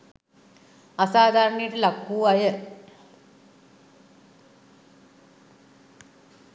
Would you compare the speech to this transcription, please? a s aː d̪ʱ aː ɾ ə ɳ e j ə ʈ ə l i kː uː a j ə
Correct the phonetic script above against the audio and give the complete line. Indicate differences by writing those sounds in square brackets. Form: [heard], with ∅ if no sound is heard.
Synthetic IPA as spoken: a s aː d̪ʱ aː ɾ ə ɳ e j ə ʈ ə l [a] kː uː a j ə